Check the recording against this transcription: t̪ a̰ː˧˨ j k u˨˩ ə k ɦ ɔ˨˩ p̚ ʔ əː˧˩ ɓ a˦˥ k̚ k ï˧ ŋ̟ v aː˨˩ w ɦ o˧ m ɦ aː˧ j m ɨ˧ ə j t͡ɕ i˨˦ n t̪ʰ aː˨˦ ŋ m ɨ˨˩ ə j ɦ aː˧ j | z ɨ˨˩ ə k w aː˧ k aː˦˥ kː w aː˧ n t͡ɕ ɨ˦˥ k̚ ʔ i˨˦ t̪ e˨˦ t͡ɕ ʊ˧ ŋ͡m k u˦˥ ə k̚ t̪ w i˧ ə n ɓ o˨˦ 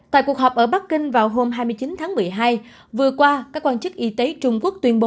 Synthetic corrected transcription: t̪ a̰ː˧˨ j k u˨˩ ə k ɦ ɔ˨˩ p̚ ʔ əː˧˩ ɓ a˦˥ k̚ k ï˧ ŋ̟ v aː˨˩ w ɦ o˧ m ɦ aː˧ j m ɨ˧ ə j t͡ɕ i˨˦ n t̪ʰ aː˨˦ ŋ m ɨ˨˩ ə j ɦ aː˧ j | v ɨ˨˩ ə k w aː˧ k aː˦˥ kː w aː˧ n t͡ɕ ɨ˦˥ k̚ ʔ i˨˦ t̪ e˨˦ t͡ɕ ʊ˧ ŋ͡m k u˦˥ ə k̚ t̪ w i˧ ə n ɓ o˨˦